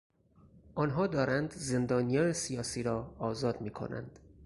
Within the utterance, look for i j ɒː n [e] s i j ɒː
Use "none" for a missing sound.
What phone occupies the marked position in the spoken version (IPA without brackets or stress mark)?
e